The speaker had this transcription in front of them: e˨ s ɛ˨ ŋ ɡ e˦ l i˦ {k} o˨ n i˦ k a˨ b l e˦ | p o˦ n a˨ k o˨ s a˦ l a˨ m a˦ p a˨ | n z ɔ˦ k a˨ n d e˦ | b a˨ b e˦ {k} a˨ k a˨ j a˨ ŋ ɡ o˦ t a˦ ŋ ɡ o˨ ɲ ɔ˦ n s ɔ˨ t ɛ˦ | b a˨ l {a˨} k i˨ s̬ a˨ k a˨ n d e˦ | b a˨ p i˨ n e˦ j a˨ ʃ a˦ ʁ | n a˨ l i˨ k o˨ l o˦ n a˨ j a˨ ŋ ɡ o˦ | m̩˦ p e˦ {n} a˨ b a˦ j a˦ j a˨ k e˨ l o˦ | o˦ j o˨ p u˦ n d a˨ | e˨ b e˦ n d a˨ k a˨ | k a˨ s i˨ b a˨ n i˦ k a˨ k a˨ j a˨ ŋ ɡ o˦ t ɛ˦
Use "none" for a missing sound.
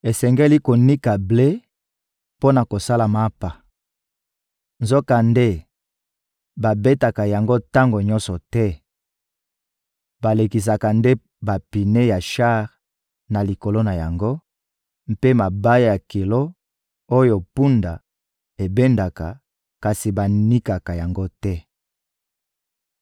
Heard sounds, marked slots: k, t, e˨, m

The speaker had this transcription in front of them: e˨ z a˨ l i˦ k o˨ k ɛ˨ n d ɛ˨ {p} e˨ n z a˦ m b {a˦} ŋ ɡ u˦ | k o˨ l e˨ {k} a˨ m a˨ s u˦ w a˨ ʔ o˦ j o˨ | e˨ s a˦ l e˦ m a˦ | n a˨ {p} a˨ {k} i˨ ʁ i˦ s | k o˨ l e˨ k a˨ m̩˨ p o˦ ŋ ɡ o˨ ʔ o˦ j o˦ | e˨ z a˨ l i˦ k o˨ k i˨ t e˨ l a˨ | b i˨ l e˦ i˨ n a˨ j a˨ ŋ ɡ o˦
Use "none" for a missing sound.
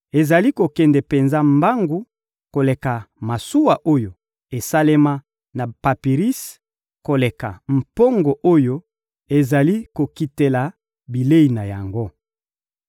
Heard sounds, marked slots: p, a˦, k, p, p

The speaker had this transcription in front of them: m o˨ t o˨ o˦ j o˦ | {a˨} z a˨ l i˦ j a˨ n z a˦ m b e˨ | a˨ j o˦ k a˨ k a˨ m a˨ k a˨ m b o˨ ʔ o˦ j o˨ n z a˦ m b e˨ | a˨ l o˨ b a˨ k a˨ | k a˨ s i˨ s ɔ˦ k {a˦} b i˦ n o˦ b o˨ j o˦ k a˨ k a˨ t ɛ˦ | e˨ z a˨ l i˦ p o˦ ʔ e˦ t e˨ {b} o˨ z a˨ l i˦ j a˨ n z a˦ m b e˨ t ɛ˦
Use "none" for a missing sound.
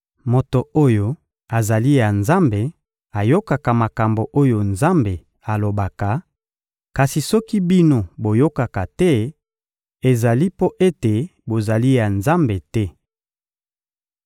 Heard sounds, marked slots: a˨, i˦, b

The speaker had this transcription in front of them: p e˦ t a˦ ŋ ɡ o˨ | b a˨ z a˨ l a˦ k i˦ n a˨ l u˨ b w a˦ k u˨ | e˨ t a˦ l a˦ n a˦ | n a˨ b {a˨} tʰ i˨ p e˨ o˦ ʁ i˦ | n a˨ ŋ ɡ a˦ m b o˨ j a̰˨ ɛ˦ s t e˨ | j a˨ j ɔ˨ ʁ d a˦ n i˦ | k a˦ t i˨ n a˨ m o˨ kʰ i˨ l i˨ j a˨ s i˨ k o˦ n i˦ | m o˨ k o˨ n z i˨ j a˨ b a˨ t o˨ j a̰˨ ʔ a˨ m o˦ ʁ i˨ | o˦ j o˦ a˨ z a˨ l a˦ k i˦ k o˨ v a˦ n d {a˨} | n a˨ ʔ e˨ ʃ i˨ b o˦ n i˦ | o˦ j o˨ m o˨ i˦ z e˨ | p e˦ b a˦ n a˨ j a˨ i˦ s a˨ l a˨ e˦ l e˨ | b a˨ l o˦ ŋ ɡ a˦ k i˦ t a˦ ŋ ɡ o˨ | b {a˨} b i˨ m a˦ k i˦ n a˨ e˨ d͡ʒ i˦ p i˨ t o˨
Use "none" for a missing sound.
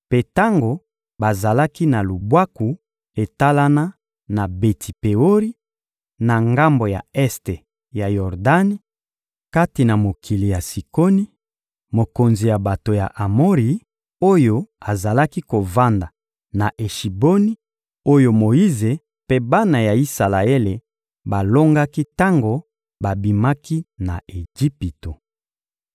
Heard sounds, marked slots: e˨, a˨, a˨

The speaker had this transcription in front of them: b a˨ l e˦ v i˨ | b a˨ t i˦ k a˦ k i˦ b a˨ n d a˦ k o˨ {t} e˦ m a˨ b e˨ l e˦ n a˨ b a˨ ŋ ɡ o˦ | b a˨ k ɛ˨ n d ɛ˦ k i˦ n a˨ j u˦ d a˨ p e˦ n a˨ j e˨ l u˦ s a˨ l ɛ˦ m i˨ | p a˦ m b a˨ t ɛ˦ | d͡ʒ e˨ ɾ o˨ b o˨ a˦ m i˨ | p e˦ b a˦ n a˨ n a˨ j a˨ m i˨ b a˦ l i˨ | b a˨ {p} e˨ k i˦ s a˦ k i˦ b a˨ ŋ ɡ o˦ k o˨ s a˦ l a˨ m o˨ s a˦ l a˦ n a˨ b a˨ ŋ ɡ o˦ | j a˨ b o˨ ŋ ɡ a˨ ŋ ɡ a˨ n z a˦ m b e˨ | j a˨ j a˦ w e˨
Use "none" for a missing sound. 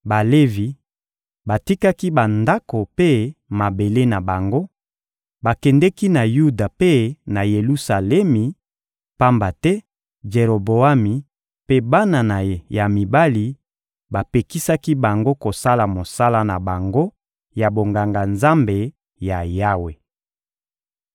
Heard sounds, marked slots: p, p

